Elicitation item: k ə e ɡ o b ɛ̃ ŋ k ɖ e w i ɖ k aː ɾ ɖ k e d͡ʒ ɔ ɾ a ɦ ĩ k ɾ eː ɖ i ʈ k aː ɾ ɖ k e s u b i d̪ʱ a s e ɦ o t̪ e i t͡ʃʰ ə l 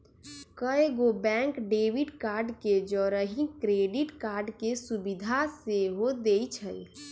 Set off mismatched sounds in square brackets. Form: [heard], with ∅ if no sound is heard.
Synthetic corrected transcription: k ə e ɡ o b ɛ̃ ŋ k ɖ e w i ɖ k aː ɾ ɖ k e d͡ʒ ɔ ɾ [ə] ɦ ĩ k ɾ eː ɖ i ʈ k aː ɾ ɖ k e s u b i d̪ʱ a s e ɦ o [d̪] e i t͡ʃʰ ə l